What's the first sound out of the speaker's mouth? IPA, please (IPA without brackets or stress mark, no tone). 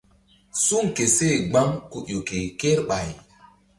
s